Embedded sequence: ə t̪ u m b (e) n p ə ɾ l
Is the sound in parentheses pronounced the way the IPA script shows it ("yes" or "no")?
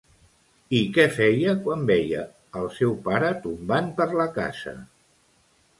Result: no